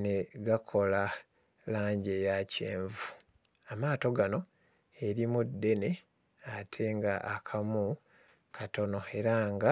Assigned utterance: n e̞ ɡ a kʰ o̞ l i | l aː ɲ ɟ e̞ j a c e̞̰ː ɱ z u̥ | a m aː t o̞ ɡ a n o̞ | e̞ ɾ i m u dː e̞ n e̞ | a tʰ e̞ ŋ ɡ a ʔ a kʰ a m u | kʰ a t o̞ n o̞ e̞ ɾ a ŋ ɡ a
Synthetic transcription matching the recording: n e̞ ɡ a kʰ o̞ l a | l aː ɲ ɟ e̞ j a c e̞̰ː ɱ v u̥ | a m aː t o̞ ɡ a n o̞ | e̞ ɾ i m u dː e̞ n e̞ | a tʰ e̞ ŋ ɡ a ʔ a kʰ a m u | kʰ a t o̞ n o̞ e̞ ɾ a ŋ ɡ a